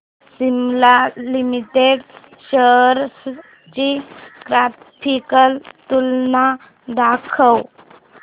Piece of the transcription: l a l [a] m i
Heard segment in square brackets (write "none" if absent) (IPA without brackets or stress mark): i